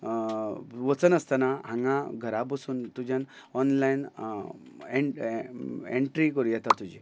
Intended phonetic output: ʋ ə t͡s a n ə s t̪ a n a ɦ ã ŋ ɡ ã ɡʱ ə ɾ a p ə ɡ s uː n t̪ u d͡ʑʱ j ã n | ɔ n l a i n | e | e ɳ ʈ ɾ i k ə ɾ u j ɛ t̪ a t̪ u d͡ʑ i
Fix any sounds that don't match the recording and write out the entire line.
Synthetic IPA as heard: ʋ ə t͡s ə n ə s t̪ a n a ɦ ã ŋ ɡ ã ɡʱ ə ɾ a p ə s uː n t̪ u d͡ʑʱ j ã n | ɔ n l a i n | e | e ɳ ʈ ɾ i k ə ɾ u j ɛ t̪ a t̪ u d͡ʑ i